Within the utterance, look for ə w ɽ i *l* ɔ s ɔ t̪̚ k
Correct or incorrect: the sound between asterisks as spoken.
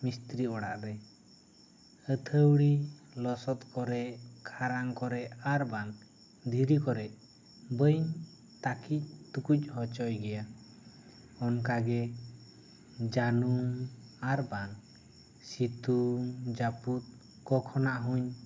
correct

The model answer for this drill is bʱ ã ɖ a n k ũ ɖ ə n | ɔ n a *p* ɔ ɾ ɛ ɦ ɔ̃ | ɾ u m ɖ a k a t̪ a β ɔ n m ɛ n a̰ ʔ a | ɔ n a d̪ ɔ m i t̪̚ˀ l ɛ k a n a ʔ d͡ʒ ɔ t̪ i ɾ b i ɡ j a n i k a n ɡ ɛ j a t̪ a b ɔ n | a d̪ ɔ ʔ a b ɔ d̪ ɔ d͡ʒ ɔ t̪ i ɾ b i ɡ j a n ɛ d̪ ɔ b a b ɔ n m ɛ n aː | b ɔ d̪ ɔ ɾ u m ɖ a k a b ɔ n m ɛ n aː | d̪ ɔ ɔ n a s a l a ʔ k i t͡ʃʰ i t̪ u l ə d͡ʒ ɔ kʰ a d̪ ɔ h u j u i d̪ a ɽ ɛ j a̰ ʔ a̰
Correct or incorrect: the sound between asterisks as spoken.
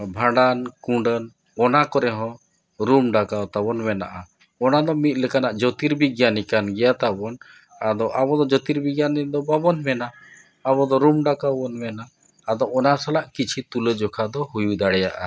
incorrect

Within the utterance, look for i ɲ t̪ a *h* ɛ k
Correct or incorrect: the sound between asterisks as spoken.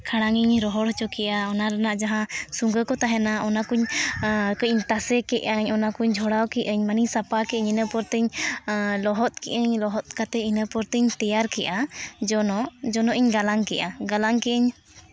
incorrect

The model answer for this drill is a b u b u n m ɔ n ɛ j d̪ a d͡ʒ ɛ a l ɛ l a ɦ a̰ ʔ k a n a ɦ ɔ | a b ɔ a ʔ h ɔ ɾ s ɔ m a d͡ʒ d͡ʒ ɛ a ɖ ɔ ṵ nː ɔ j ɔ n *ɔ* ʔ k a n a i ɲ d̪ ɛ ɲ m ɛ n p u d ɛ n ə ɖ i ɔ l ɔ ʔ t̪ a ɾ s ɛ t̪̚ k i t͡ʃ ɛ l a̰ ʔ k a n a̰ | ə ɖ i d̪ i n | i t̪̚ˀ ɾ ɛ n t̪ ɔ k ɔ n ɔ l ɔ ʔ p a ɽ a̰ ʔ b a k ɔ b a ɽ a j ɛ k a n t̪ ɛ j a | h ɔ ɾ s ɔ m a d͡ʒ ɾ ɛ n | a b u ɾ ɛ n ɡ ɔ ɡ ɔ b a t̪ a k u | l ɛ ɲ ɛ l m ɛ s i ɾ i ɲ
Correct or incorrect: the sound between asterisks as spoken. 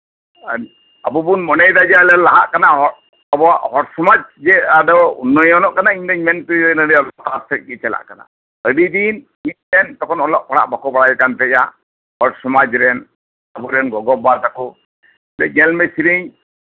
correct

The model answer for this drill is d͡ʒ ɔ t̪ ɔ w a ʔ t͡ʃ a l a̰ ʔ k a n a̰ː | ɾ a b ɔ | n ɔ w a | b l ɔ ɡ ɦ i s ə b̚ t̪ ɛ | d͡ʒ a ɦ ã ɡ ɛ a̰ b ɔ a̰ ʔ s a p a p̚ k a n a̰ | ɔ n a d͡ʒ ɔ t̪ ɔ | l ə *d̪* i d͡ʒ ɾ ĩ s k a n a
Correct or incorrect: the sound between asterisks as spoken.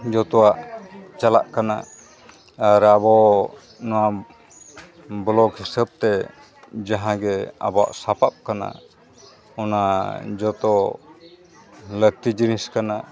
incorrect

